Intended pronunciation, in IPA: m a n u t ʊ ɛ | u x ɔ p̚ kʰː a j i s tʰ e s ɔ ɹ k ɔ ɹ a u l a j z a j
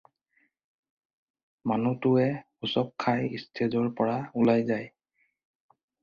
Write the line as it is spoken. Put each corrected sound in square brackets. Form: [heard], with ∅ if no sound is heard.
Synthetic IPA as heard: m a n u t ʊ ɛ | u [s] ɔ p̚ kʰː a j i s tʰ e [z] ɔ ɹ [p] ɔ ɹ a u l a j z a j